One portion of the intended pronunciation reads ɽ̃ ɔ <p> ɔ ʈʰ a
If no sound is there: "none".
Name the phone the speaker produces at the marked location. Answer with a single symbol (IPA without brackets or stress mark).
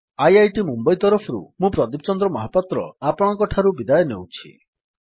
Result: k